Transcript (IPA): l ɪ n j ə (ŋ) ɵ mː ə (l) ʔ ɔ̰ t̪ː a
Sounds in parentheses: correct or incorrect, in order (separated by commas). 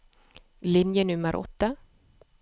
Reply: incorrect, incorrect